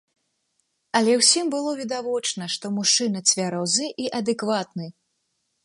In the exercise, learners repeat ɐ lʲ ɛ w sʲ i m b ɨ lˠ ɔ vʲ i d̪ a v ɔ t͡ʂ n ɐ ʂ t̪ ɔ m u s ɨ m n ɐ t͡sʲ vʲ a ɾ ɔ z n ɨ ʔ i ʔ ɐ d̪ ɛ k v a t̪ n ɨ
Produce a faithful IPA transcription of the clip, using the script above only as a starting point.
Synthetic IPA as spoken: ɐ lʲ ɛ w sʲ i m b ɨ lˠ ɔ vʲ i d̪ a v ɔ t͡ʂ n ɐ ʂ t̪ ɔ m u ʂ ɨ n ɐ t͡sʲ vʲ a ɾ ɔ z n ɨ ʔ i ʔ ɐ d̪ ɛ k v a t̪ n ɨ